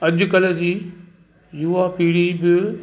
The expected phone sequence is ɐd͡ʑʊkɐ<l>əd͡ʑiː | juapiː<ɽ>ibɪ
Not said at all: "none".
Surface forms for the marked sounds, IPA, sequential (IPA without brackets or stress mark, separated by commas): l, ɽ